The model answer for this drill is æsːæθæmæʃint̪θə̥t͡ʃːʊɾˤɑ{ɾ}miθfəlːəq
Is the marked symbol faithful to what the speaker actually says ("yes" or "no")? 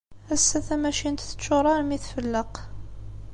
yes